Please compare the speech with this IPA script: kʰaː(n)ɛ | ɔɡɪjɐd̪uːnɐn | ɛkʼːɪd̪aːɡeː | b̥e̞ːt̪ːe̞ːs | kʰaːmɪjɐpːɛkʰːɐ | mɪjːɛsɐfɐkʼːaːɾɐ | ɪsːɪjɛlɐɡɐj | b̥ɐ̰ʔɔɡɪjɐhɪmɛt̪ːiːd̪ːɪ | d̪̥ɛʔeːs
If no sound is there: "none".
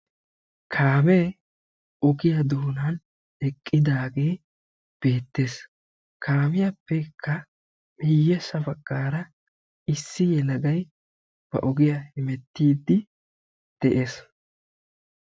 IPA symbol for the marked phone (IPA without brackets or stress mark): m